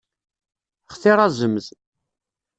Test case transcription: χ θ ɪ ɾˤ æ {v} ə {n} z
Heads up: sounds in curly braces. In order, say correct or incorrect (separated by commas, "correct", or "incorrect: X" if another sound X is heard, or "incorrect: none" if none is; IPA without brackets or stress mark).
incorrect: z, incorrect: m